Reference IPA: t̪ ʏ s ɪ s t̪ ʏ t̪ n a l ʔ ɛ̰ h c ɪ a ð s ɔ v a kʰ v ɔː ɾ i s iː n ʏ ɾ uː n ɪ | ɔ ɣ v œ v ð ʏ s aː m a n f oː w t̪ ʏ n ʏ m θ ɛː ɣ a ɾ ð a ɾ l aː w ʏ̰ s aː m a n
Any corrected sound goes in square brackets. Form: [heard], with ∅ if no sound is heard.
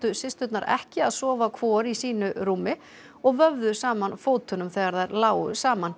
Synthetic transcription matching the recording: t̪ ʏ s ɪ s t̪ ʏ t̪ n a [ɾ] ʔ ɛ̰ h c ɪ a ð s [ɔː] v a kʰ v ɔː ɾ i s iː n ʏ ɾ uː [m] ɪ | ɔ ɣ v œ v ð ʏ s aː m a n f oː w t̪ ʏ n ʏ m θ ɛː ɣ a ɾ ð a ɾ l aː w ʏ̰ s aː m a n